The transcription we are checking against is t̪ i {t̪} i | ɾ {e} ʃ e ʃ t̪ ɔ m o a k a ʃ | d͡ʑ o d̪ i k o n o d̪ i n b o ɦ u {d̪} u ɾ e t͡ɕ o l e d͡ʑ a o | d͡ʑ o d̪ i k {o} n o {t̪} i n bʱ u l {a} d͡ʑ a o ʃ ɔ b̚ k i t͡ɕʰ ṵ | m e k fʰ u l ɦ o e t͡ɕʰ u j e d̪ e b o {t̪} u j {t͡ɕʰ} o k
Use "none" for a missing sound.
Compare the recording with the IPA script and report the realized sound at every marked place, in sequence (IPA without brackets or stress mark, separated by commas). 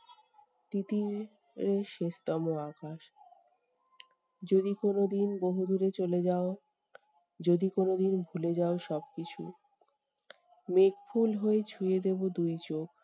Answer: t̪, e, d̪, o, d̪, e, d̪, t͡ɕ